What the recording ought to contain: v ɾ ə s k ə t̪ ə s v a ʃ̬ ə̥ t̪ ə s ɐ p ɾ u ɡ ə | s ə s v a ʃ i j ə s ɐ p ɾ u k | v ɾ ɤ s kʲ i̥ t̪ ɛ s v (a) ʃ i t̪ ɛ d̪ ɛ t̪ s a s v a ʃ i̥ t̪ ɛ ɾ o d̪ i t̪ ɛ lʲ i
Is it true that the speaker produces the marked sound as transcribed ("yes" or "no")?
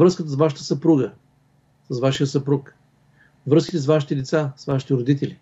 yes